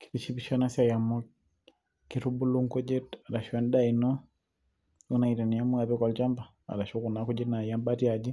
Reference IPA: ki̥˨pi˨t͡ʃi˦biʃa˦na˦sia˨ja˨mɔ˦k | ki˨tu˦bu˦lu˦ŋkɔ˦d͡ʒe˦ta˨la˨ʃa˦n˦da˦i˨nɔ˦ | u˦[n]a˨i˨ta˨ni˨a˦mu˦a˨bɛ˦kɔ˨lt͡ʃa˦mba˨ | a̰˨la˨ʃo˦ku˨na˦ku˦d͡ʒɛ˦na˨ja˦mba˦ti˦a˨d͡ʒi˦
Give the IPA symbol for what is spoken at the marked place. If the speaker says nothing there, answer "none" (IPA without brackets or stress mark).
n